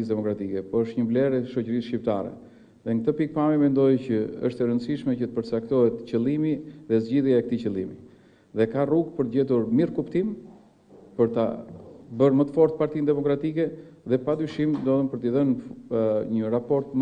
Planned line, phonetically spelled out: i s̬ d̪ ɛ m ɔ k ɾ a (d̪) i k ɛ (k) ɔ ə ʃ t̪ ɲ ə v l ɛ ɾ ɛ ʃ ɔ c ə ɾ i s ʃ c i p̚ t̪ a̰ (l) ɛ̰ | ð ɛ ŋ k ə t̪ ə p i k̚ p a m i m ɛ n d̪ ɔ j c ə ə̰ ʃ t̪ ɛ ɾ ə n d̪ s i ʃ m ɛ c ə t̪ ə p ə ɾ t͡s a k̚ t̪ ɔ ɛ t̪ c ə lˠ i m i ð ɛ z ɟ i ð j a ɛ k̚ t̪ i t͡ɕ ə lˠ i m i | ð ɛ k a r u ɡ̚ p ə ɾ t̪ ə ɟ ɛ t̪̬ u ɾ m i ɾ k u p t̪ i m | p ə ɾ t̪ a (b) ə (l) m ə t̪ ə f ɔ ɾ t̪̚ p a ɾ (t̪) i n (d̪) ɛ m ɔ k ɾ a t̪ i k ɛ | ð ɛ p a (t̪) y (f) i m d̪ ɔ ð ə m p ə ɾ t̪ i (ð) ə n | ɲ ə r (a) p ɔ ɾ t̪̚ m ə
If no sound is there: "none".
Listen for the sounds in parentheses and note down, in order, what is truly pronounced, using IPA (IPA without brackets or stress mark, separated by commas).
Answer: t̪, p, ɾ, b, ɾ, t̪, d̪, d̪, ʃ, ð, a